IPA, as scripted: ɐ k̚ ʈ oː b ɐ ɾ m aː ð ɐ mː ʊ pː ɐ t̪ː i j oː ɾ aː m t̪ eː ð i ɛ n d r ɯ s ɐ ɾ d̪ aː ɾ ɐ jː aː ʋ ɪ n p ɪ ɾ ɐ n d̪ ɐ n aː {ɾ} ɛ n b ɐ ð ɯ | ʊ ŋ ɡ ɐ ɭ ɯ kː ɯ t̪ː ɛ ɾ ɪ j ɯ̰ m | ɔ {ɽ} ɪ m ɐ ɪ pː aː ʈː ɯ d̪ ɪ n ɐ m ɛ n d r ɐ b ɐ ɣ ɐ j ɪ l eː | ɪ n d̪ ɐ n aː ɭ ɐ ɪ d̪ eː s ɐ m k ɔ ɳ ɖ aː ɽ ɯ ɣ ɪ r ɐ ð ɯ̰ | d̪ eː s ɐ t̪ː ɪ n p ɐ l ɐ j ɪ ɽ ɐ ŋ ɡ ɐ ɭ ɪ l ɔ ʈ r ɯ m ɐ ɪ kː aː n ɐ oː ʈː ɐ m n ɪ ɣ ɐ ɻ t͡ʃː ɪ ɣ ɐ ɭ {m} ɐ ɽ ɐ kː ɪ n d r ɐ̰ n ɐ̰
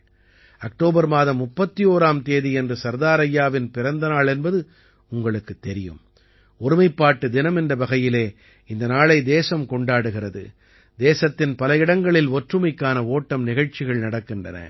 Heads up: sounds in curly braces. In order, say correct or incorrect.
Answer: incorrect, incorrect, incorrect

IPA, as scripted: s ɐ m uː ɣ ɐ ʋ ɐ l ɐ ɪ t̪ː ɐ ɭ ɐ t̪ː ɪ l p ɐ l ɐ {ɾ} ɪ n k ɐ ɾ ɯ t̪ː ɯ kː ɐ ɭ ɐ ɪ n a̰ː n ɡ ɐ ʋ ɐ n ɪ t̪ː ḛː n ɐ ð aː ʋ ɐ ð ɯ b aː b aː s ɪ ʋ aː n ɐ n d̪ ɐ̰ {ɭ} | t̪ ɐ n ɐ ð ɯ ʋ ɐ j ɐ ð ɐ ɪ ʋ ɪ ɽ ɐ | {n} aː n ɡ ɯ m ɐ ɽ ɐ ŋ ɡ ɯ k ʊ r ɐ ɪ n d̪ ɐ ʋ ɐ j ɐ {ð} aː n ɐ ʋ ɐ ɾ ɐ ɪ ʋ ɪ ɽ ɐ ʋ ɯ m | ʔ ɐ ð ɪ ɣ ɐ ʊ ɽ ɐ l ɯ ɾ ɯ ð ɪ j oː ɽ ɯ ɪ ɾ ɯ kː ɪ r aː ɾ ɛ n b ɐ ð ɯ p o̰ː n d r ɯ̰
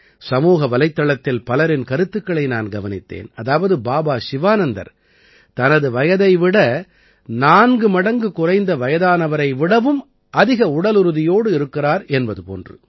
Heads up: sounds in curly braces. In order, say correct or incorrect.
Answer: correct, incorrect, correct, correct

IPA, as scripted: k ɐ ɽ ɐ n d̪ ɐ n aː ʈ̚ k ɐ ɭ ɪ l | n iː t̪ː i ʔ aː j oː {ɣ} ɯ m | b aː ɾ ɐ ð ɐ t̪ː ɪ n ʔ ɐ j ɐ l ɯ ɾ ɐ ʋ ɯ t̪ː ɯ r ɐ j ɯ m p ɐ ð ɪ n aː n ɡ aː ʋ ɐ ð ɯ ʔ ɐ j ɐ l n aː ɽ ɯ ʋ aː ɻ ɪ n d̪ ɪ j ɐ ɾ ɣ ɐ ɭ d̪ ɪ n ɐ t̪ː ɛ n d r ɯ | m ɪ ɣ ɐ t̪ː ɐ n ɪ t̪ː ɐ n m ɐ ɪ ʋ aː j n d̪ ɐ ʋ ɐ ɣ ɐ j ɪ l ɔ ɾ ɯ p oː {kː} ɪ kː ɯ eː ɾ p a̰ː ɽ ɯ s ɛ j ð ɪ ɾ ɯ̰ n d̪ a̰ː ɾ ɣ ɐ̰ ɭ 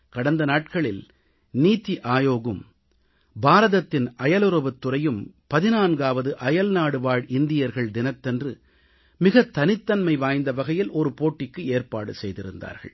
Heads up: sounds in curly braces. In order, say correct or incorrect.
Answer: correct, incorrect

